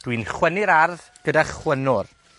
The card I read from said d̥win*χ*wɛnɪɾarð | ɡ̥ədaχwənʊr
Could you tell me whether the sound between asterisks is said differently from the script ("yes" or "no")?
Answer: no